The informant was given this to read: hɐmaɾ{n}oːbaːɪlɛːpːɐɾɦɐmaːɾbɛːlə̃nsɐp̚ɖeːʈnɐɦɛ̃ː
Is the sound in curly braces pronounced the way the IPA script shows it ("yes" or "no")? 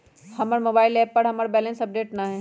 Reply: no